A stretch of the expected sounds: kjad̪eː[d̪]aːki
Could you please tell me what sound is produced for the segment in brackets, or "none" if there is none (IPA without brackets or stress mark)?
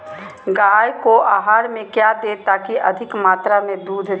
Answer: t̪